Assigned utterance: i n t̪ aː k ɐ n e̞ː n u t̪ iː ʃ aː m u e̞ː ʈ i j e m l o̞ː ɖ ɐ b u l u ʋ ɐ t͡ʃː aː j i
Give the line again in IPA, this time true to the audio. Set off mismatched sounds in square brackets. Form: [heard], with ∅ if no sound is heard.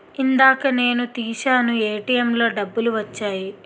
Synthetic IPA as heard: i n [d̪] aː k ɐ n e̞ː n u t̪ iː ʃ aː [n] u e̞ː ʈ i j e m l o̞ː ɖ ɐ [bː] u l u ʋ ɐ t͡ʃː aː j i